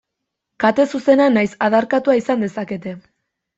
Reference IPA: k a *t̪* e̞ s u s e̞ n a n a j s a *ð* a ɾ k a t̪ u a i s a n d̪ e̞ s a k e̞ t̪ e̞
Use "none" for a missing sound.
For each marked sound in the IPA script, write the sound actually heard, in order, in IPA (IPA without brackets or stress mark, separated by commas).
t̪, ð